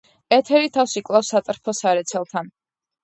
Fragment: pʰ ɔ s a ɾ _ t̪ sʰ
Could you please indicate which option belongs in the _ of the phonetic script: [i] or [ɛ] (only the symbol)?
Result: ɛ